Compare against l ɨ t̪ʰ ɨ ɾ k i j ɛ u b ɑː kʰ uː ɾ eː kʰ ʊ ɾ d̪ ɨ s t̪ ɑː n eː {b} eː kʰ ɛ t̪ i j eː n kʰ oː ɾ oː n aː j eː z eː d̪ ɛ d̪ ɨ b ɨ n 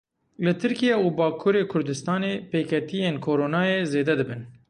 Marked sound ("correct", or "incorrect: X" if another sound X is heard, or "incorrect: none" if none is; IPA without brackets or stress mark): incorrect: p